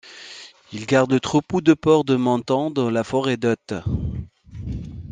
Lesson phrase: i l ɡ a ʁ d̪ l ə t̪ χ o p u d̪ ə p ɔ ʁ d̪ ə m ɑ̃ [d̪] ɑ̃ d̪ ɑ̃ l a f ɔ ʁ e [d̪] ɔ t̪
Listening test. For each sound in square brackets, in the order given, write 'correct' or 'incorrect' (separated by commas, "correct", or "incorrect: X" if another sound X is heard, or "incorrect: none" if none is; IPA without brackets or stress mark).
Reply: incorrect: t̪, correct